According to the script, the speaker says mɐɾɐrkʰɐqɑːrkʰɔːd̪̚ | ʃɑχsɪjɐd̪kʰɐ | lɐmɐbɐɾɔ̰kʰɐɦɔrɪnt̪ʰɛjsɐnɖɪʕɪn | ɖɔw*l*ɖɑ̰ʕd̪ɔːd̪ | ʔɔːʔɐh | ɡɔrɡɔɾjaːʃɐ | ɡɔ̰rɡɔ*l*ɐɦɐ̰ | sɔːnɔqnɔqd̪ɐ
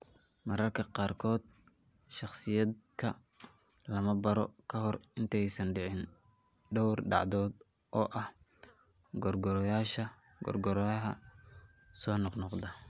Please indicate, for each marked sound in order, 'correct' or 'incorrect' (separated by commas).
incorrect, incorrect